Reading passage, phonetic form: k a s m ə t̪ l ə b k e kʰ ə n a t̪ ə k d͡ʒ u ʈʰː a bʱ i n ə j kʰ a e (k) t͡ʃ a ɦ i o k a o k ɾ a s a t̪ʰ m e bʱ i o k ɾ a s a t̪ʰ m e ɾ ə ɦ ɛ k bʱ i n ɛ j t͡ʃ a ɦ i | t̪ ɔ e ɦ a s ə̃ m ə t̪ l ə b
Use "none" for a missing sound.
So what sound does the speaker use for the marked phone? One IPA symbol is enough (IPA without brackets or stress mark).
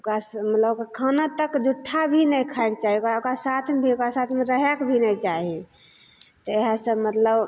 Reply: k